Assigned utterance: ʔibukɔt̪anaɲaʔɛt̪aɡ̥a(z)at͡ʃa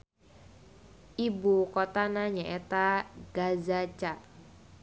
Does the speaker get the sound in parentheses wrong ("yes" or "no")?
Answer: no